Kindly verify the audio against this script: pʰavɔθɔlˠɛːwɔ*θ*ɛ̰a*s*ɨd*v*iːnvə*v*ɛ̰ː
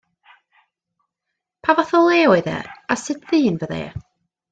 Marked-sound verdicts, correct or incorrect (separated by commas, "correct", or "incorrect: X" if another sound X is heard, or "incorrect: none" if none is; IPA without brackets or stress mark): incorrect: ð, correct, incorrect: ð, incorrect: ð